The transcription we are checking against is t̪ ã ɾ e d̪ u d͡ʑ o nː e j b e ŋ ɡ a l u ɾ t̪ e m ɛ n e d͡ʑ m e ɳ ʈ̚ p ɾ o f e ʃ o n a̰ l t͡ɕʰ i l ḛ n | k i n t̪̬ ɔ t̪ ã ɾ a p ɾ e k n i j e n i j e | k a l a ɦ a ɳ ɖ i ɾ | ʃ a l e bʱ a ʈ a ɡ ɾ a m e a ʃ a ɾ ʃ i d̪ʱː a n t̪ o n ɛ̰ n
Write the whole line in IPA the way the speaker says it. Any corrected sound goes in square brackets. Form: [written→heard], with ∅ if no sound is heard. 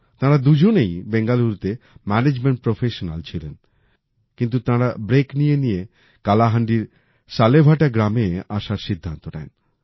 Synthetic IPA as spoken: t̪ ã ɾ [e→a] d̪ u d͡ʑ o [nː→n] e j b e ŋ ɡ a l u ɾ t̪ e m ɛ n e d͡ʑ m e ɳ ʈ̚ p ɾ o f e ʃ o n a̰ l t͡ɕʰ i l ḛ n | k i n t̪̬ [ɔ→u] t̪ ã ɾ a [p→b] ɾ e k n i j e n i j e | k a l a ɦ a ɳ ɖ i ɾ | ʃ a l e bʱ a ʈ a ɡ ɾ a m e a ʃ a ɾ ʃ i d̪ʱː a n t̪ o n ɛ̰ n